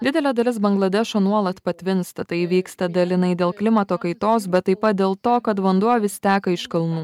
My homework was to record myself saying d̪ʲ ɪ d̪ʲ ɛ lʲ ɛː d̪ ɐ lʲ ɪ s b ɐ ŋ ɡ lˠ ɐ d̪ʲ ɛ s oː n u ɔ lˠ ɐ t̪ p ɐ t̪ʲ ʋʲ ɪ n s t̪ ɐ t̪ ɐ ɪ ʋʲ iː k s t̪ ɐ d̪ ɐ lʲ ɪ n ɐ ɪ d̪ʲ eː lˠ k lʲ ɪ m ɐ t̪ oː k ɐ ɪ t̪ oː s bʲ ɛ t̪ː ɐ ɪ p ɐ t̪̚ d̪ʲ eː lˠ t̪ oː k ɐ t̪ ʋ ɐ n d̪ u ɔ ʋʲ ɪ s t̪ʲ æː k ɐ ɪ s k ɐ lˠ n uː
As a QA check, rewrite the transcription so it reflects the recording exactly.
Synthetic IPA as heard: d̪ʲ ɪ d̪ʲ ɛ lʲ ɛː d̪ ɐ lʲ ɪ s b ɐ ŋ ɡ lˠ ɐ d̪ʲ ɛ ʃ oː n u ɔ lˠ ɐ t̪ p ɐ t̪ʲ ʋʲ ɪ n s t̪ ɐ t̪ ɐ ɪ ʋʲ iː k s t̪ ɐ d̪ ɐ lʲ ɪ n ɐ ɪ d̪ʲ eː lˠ k lʲ ɪ m ɐ t̪ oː k ɐ ɪ t̪ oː s bʲ ɛ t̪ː ɐ ɪ p ɐ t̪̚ d̪ʲ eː lˠ t̪ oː k ɐ t̪ ʋ ɐ n d̪ u ɔ ʋʲ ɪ s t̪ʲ æː k ɐ ɪ ʃ k ɐ lˠ n uː